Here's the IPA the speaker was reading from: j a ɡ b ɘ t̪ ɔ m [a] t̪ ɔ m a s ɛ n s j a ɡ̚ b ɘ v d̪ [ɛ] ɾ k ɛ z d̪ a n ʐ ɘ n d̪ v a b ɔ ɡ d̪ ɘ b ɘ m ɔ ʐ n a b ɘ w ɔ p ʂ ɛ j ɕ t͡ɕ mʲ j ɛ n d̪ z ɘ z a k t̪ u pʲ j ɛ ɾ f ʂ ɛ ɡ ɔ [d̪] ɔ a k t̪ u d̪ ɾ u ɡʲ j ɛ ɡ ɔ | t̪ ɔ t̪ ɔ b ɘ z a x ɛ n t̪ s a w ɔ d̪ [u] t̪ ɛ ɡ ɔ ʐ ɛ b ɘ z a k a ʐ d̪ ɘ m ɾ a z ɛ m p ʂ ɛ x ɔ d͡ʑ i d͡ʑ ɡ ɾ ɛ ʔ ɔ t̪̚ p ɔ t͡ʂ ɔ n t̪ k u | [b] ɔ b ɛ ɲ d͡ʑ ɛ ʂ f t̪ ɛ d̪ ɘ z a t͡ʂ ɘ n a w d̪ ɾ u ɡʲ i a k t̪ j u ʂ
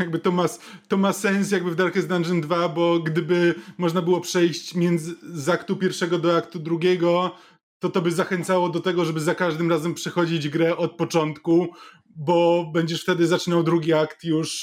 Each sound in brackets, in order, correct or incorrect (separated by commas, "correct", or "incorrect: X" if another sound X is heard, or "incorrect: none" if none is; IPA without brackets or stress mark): correct, incorrect: a, correct, incorrect: ɔ, correct